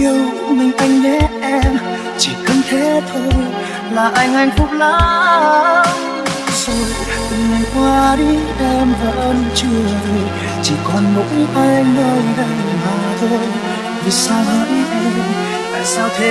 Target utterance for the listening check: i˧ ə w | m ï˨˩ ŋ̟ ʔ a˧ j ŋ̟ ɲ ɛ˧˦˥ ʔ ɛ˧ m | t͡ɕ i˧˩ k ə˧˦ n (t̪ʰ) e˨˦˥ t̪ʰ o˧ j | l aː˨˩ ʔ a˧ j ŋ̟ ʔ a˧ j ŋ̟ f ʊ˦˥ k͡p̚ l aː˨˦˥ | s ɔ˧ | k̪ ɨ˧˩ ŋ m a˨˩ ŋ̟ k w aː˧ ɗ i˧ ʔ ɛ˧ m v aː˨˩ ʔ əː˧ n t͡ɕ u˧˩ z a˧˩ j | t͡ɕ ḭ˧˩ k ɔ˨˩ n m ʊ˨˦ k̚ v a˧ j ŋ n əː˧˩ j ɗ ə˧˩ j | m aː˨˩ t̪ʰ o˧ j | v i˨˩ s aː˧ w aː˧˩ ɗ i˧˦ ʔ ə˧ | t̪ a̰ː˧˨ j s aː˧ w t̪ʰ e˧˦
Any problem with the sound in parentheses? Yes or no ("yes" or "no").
no